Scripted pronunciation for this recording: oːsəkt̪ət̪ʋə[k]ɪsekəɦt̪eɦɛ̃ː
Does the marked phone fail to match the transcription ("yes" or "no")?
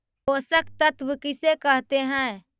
no